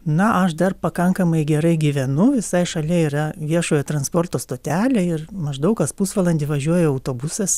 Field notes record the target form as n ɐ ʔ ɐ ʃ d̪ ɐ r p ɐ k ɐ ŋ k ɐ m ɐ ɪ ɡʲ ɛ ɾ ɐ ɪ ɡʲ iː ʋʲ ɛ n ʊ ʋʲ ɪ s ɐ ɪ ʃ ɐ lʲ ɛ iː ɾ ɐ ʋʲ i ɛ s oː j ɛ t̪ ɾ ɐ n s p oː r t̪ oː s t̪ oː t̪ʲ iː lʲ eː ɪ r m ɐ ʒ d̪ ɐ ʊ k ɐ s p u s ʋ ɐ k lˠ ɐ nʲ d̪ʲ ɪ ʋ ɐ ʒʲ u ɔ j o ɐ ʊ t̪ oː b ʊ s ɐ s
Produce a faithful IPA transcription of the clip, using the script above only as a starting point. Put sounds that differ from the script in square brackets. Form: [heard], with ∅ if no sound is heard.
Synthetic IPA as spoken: n ɐ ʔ ɐ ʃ d̪ ɐ r p ɐ k ɐ ŋ k ɐ m ɐ ɪ ɡʲ ɛ ɾ ɐ ɪ ɡʲ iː ʋʲ ɛ n ʊ ʋʲ ɪ s ɐ ɪ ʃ ɐ lʲ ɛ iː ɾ ɐ ʋʲ i ɛ [ʃ] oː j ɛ t̪ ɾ ɐ n s p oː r t̪ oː s t̪ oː t̪ʲ [æː] lʲ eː ɪ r m ɐ ʒ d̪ ɐ ʊ k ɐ s p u s ʋ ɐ [∅] lˠ ɐ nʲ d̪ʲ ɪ ʋ ɐ ʒʲ u ɔ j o ɐ ʊ t̪ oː b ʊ s ɐ s